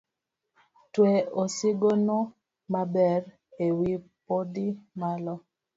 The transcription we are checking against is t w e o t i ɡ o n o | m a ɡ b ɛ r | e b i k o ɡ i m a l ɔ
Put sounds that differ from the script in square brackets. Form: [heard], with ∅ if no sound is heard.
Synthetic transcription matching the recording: t w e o [s] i ɡ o n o | m a [∅] b ɛ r | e [w] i [p] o [d] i m a l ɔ